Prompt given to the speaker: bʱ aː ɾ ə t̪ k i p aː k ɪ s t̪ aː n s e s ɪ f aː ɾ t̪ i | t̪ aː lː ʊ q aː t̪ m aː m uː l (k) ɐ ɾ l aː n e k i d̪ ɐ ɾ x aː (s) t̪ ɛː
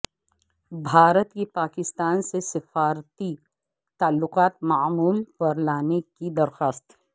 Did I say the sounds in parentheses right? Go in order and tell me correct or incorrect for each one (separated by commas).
incorrect, correct